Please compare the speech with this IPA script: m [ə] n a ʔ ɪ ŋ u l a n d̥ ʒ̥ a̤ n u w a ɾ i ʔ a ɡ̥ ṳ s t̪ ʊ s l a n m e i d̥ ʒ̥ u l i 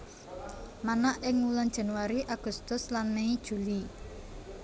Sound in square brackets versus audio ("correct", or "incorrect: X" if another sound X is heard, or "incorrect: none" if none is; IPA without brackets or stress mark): incorrect: a